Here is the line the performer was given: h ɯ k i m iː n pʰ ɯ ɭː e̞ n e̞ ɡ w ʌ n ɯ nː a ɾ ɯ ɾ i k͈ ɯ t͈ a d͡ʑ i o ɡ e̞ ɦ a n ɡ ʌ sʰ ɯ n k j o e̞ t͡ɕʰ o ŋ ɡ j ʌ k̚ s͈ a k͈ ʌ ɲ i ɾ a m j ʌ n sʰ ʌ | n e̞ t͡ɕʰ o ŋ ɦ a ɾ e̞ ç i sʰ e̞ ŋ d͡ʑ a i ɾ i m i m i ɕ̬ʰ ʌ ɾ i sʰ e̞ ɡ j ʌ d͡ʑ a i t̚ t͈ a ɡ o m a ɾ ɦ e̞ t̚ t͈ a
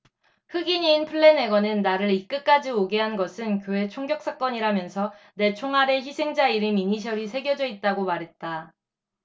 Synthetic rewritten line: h ɯ ɡ i ɲ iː n pʰ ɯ ɭː e̞ n e̞ ɡ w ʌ n ɯ nː a ɾ ɯ ɾ i k͈ ɯ k͈ a d͡ʑ i o ɡ e̞ ɦ a n ɡ ʌ sʰ ɯ n k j o e̞ t͡ɕʰ o ŋ ɡ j ʌ k̚ s͈ a k͈ ʌ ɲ i ɾ a m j ʌ n sʰ ʌ | n e̞ t͡ɕʰ o ŋ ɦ a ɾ e̞ ç i sʰ e̞ ŋ d͡ʑ a i ɾ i m i ɲ i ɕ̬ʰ ʌ ɾ i sʰ e̞ ɡ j ʌ d͡ʑ ʌ i t̚ t͈ a ɡ o m a ɾ ɦ e̞ t̚ t͈ a